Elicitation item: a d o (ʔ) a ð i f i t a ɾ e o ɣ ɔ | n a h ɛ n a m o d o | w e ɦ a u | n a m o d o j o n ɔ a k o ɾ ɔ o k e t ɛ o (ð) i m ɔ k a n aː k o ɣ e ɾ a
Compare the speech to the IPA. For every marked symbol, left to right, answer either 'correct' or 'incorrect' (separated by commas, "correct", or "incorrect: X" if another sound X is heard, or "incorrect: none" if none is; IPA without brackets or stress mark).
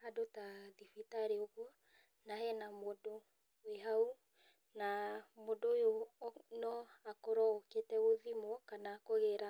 incorrect: t, correct